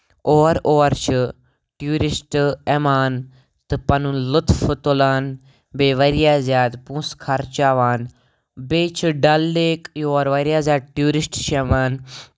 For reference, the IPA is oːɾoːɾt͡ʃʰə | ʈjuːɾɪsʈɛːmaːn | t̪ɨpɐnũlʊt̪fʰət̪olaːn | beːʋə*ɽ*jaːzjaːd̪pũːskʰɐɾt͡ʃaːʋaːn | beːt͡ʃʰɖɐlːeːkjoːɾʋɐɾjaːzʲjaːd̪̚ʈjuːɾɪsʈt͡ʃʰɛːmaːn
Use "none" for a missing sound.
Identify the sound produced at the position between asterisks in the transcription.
ɾ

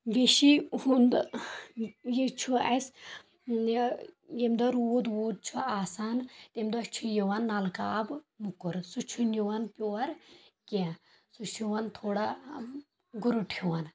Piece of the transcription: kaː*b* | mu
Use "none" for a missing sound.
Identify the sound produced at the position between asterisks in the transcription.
b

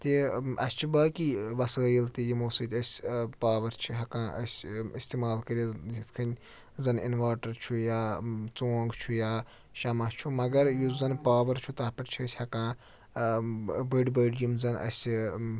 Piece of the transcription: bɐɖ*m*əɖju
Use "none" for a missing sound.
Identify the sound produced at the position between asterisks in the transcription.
b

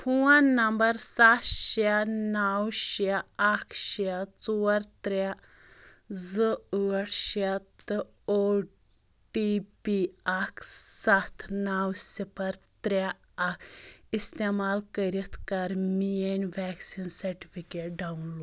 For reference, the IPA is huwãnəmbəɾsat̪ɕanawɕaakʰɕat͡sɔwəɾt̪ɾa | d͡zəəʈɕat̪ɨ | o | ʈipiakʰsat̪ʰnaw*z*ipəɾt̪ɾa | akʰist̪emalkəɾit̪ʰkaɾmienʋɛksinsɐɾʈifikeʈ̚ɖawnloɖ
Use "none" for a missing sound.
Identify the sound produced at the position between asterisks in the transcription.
s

